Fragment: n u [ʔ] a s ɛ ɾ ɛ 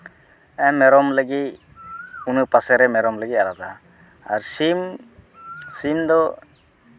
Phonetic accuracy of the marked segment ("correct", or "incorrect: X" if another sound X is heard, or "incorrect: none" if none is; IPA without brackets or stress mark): incorrect: p